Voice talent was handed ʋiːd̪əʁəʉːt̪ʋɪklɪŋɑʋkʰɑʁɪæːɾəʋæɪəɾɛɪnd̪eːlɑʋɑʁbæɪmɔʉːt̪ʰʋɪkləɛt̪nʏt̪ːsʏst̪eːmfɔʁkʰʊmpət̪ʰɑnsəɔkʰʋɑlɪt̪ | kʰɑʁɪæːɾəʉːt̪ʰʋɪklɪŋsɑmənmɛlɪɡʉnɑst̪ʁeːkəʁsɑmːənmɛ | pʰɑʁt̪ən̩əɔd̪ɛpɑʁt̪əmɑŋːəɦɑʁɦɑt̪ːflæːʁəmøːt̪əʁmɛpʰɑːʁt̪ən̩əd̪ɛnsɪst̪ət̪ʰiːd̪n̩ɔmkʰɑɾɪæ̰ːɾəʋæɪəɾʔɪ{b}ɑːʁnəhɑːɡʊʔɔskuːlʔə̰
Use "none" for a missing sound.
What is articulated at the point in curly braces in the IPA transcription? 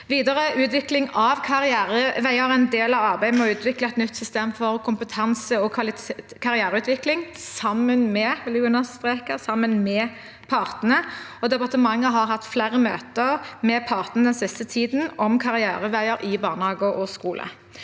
b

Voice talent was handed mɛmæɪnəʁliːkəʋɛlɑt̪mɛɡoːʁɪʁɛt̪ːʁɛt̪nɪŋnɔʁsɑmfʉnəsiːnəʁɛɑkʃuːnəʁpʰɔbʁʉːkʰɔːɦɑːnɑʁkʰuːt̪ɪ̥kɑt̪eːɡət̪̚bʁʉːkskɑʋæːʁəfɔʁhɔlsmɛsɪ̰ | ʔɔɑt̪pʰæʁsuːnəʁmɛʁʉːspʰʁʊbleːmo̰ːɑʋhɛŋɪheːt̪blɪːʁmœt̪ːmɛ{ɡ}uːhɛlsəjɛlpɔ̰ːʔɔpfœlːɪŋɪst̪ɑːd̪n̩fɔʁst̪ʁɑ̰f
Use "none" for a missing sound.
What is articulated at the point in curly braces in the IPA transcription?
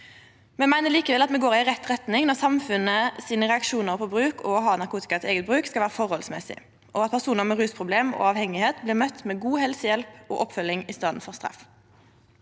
ɡ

